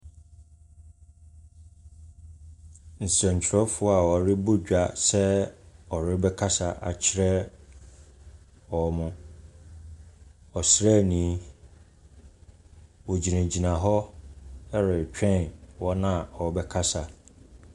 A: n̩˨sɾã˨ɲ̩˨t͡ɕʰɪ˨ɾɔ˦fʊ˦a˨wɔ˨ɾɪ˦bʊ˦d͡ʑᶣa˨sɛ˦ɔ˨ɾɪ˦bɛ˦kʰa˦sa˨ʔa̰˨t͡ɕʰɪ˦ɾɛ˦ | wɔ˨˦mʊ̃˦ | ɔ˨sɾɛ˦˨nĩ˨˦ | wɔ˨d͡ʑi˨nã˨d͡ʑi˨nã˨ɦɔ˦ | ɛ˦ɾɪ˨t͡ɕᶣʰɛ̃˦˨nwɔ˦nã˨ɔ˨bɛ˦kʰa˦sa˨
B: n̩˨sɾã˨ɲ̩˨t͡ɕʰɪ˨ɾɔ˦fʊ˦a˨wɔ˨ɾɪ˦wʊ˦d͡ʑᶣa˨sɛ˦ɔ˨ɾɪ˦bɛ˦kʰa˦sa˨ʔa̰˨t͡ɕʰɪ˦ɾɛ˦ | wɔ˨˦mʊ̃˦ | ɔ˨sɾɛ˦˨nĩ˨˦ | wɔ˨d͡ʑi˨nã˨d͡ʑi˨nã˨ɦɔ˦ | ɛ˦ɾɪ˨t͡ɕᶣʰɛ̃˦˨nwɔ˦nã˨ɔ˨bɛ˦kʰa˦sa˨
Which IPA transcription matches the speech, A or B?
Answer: A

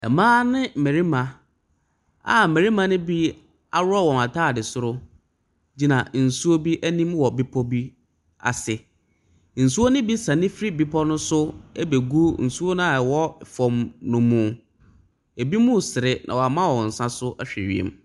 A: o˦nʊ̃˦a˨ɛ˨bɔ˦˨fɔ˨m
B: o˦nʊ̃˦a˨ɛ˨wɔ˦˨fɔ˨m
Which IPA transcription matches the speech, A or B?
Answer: B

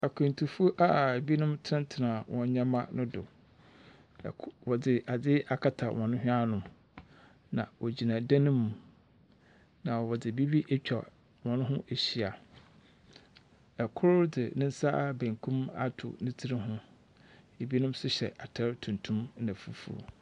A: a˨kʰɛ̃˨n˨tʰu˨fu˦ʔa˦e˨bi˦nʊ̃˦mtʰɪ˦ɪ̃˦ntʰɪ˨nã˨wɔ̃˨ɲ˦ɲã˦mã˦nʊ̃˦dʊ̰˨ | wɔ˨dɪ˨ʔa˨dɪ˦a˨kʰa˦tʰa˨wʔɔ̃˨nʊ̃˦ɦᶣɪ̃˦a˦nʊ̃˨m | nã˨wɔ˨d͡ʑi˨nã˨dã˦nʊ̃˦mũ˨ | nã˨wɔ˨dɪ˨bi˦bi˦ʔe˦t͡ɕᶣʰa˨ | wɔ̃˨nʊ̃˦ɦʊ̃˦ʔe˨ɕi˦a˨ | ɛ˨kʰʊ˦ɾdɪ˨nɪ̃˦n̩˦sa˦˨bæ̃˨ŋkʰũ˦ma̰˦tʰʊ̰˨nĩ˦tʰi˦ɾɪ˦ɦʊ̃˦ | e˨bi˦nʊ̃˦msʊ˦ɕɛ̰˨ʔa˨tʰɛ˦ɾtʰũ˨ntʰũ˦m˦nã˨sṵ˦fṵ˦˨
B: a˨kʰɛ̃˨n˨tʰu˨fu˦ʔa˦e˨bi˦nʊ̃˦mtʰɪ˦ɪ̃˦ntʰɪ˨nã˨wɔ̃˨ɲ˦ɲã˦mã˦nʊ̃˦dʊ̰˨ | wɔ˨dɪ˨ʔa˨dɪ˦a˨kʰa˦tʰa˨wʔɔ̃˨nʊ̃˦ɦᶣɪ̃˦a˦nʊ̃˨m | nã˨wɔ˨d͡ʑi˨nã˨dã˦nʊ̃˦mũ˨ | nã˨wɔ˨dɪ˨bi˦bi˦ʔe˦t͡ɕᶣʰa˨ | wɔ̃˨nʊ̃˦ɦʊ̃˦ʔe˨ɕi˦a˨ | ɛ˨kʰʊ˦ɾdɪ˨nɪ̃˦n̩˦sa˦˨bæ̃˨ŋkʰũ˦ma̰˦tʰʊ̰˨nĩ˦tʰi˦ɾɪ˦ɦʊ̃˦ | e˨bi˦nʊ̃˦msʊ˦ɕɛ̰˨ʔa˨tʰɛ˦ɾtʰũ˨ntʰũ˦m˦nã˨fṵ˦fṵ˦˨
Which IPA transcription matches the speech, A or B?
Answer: B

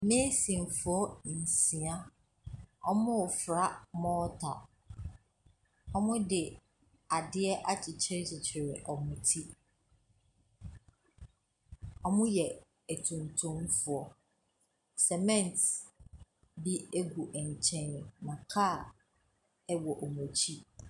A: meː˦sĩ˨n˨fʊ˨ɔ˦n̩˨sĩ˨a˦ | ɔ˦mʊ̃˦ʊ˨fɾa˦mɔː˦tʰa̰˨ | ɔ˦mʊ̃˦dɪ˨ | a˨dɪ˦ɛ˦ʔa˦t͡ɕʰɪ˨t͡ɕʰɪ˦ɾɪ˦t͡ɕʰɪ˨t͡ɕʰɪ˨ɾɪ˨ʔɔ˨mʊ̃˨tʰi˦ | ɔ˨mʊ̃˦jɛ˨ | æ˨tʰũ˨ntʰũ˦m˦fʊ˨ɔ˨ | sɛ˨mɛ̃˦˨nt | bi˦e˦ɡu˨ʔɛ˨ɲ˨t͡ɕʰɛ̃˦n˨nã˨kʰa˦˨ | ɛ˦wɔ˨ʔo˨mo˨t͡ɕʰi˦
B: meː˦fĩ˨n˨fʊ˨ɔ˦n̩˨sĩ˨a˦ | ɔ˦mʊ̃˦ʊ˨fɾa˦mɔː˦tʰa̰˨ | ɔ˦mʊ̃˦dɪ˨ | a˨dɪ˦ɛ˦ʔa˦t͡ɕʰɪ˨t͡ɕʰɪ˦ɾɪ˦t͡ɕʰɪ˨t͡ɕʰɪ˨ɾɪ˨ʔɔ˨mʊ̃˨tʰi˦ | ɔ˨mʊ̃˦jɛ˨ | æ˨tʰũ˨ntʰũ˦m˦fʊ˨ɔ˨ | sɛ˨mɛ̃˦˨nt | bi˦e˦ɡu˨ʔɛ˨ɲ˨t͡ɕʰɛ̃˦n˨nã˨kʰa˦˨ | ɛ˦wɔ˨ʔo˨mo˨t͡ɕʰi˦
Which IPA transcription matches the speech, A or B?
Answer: A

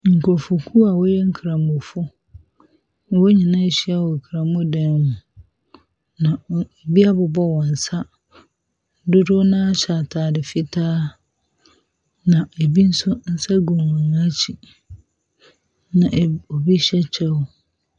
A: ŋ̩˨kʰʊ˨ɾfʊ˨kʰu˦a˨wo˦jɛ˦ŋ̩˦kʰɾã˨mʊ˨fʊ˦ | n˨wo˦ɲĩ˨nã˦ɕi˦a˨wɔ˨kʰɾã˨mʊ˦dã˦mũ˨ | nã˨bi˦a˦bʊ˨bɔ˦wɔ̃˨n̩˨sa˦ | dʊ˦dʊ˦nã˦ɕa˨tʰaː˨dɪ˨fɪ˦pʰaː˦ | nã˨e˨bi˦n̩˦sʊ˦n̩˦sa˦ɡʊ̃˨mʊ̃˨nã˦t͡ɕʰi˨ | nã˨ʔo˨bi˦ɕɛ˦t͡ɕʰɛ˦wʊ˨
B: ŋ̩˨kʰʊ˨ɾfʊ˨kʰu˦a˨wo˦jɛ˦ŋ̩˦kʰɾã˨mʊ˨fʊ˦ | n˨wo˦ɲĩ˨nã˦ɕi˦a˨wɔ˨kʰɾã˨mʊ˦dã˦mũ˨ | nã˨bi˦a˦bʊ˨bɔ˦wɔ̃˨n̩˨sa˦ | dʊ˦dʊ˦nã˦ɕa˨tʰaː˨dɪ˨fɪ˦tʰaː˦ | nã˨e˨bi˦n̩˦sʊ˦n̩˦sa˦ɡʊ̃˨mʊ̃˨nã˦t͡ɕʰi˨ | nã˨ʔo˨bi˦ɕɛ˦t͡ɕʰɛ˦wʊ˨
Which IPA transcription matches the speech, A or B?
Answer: B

